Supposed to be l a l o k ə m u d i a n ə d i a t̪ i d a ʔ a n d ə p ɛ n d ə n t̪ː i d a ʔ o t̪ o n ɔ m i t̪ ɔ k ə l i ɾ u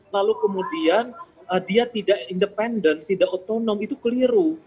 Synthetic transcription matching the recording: l a l u k ə m u d i a n ə d i a t̪ i d a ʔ i n d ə p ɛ n d ə n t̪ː i d a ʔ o t̪ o n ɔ m i t̪ u k ə l i ɾ u